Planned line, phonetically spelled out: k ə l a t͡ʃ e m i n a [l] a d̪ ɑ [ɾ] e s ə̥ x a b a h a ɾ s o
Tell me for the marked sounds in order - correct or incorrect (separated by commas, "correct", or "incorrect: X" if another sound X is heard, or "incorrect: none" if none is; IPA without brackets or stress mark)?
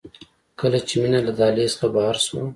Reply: correct, incorrect: l